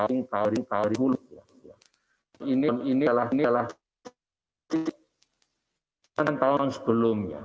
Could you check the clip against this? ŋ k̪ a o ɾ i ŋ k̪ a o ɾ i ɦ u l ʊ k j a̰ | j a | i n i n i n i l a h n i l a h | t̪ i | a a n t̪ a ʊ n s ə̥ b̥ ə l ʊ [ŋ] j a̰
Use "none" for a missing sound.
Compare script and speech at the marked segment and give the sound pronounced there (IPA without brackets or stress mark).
m